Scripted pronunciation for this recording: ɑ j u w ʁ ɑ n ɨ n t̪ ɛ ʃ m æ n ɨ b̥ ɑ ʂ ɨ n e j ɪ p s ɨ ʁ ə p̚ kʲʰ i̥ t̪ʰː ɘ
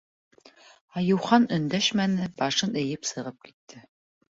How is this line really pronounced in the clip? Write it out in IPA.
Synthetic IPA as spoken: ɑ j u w χ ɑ n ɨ n d̪ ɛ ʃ m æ n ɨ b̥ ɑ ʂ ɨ n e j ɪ p s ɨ ʁ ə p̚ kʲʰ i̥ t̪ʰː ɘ